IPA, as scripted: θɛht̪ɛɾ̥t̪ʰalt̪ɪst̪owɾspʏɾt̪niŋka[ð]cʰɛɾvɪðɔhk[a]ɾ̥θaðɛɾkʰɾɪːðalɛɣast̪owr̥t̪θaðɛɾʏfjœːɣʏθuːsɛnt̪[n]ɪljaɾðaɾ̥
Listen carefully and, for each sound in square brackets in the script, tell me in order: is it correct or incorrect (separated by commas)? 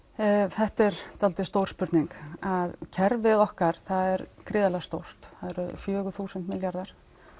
correct, correct, incorrect